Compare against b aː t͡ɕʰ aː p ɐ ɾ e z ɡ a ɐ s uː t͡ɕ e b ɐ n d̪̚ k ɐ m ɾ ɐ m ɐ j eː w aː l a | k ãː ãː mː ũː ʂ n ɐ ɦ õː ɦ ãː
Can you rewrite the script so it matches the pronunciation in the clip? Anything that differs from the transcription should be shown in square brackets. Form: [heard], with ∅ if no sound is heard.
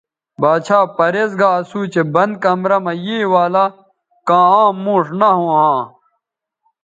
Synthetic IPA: b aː t͡ɕʰ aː p ɐ ɾ e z ɡ a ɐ s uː t͡ɕ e b ɐ n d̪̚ k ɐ m ɾ ɐ m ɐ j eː w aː l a | k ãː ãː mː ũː ʂ n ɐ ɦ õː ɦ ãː